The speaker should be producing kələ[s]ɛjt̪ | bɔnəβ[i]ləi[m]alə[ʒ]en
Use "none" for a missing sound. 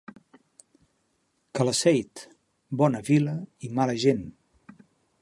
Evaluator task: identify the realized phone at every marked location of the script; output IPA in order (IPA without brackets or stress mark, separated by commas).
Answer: s, i, m, ʒ